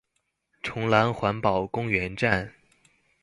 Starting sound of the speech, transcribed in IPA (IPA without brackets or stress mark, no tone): ʈ͡ʂʰ